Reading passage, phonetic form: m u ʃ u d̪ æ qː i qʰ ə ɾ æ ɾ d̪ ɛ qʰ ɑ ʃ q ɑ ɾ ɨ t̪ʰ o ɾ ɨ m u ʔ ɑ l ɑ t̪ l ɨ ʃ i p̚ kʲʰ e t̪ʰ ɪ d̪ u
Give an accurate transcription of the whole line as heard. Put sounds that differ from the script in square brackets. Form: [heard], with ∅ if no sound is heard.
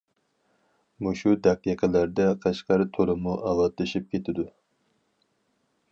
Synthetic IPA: m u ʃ u d̪ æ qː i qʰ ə [l] æ ɾ d̪ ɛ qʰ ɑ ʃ q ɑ ɾ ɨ t̪ʰ o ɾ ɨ m u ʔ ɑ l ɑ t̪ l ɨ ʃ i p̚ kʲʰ e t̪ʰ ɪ d̪ u